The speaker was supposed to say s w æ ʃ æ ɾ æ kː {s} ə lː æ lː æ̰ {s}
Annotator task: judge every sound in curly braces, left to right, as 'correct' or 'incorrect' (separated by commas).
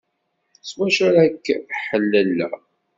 incorrect, incorrect